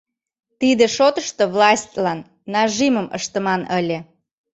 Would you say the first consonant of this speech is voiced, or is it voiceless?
voiceless